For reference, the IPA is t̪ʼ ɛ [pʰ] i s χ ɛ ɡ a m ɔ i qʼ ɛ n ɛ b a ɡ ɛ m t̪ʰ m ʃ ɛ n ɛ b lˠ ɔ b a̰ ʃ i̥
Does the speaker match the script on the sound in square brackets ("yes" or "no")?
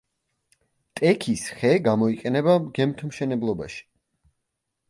no